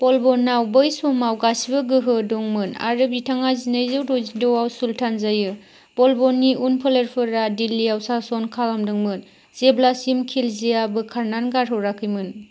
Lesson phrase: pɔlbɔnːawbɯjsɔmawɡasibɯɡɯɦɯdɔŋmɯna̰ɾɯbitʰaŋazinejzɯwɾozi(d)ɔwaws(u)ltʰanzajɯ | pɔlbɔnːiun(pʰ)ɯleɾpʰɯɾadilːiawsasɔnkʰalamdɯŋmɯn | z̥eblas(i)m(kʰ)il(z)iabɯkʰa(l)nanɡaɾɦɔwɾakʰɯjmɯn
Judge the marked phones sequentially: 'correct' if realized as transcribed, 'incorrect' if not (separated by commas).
correct, correct, correct, correct, correct, correct, incorrect